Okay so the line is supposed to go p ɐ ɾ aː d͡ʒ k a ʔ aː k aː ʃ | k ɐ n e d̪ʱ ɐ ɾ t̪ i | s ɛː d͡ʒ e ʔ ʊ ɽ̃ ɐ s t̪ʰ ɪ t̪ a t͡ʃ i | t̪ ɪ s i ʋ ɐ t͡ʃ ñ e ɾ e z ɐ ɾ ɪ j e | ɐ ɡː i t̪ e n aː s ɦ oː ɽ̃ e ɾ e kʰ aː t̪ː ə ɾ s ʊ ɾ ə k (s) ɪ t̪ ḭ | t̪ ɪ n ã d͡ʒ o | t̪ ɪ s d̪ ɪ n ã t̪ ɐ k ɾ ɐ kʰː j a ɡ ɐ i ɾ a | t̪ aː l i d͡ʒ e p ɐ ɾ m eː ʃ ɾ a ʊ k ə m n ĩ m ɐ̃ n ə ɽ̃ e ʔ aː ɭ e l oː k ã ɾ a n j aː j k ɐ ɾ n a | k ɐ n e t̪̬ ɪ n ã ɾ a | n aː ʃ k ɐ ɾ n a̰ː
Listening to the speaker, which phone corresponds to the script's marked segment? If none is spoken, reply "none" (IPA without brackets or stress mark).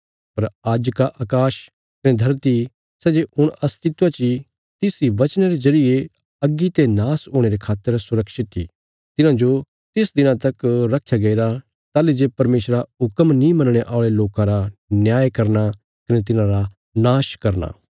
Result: ʃ